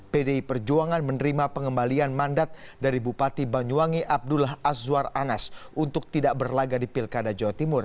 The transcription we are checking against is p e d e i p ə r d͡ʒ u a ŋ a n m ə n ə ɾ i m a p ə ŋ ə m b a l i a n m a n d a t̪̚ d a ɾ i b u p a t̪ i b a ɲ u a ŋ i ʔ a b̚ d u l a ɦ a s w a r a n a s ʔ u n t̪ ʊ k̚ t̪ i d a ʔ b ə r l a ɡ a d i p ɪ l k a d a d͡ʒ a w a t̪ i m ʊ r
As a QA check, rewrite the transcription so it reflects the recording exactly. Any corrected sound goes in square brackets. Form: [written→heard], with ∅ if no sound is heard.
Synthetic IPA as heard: p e d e i p ə r d͡ʒ u a ŋ a n m ə n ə ɾ i m a p ə ŋ ə m b a l i a n m a n d a t̪̚ d a ɾ i b u p a t̪ i b a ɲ u a ŋ i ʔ a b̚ d u l a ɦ a s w a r a n a s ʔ u n t̪ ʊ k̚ t̪ i d a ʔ b ə r l a ɡ a d i p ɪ l k a d a d͡ʒ a w a t̪ i m ʊ r